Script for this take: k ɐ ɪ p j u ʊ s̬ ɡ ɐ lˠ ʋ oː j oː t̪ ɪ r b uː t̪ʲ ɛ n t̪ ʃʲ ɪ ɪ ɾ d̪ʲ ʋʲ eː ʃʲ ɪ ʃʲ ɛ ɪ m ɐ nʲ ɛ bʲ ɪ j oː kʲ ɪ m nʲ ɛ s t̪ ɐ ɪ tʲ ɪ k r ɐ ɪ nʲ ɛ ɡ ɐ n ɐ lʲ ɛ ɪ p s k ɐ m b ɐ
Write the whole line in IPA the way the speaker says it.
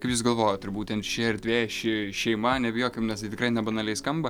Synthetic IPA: k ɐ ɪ p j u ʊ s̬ ɡ ɐ lˠ ʋ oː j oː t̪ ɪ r b uː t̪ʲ ɛ n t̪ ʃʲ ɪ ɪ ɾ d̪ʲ ʋʲ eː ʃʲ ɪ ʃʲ ɛ ɪ m ɐ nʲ ɛ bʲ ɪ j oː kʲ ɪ m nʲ ɛ s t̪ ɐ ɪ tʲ ɪ k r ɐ ɪ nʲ ɛ b ɐ n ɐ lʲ ɛ ɪ s k ɐ m b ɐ